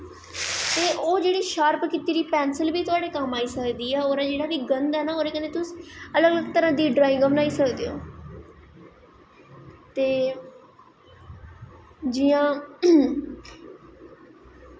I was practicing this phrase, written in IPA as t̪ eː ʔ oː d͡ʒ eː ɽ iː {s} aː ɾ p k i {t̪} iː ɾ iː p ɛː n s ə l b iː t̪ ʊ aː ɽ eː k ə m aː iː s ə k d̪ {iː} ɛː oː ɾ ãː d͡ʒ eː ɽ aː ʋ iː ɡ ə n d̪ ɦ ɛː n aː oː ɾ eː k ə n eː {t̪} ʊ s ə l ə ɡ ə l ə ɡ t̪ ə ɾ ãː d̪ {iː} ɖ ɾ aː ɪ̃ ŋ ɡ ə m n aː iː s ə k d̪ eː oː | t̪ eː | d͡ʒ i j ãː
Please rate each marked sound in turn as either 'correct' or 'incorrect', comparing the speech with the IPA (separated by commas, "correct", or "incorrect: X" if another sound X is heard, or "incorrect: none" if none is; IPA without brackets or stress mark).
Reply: incorrect: ʃ, correct, correct, correct, correct